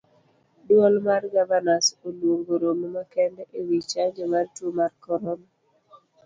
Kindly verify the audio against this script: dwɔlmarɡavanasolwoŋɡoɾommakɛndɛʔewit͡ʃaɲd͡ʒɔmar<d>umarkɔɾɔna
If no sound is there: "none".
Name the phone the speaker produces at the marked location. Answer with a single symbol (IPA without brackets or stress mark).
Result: t